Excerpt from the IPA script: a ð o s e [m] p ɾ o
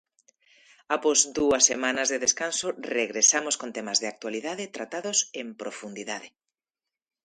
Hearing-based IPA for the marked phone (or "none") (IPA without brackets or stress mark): m